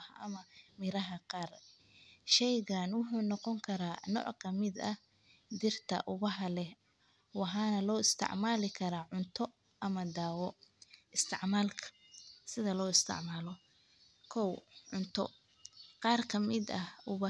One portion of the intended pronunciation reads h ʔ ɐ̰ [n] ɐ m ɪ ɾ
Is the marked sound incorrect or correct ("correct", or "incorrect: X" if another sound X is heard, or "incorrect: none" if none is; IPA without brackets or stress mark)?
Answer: incorrect: m